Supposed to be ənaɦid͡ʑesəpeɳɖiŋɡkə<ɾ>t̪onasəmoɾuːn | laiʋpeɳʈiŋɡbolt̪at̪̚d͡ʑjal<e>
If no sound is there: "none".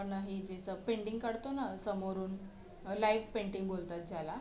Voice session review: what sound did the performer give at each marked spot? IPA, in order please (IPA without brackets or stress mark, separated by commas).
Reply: ɽ, a